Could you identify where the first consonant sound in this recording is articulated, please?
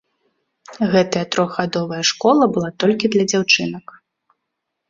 velar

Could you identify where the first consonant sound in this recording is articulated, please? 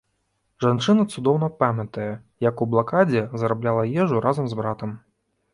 retroflex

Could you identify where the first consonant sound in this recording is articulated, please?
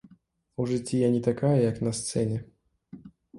retroflex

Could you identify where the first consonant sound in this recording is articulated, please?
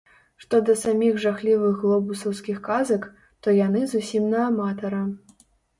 retroflex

